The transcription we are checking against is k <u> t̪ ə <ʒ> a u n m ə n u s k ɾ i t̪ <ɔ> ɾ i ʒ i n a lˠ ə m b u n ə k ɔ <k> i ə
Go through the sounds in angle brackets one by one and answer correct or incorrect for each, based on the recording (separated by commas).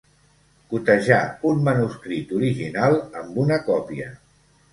correct, correct, incorrect, incorrect